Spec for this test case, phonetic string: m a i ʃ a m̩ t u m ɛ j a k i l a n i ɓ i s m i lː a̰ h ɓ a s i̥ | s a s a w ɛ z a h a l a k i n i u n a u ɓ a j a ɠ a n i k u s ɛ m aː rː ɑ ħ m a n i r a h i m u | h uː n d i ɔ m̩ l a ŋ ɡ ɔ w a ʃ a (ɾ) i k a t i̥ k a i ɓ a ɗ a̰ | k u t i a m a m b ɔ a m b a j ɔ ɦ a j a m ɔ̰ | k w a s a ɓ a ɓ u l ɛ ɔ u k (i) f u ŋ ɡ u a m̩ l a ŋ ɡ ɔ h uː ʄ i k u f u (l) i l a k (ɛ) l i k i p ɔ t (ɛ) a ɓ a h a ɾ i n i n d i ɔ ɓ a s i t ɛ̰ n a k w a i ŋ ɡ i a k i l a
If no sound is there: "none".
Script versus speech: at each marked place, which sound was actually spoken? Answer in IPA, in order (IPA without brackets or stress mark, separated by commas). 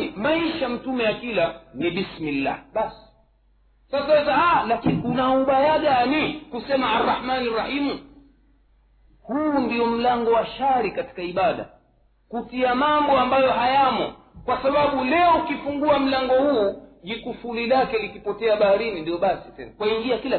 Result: ɾ, i, l, ɛ, ɛ